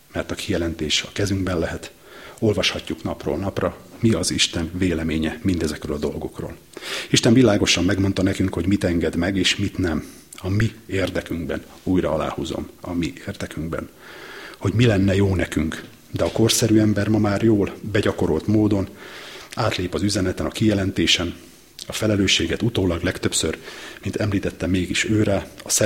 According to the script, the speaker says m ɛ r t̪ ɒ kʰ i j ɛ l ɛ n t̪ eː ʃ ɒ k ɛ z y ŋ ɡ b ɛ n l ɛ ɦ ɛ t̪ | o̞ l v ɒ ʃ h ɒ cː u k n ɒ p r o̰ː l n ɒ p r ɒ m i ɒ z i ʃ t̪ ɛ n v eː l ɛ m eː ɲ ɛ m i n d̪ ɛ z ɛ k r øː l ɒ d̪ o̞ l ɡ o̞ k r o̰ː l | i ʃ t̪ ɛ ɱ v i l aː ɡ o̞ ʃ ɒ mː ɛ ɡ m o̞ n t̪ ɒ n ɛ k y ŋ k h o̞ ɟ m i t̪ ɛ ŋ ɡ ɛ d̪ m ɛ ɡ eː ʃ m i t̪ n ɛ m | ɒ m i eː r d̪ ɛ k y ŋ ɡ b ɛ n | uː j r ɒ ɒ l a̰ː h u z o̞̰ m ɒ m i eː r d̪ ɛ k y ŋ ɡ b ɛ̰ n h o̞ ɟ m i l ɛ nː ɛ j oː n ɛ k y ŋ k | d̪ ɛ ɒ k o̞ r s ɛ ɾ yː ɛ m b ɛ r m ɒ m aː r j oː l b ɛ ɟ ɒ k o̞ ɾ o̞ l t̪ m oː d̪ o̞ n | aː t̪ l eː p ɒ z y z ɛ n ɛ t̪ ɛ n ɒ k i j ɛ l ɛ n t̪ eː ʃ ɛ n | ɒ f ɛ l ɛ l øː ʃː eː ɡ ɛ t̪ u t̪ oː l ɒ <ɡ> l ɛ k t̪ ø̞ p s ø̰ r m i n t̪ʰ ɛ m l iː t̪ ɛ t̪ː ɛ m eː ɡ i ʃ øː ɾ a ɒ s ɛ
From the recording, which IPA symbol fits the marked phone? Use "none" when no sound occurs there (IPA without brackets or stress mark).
ɡ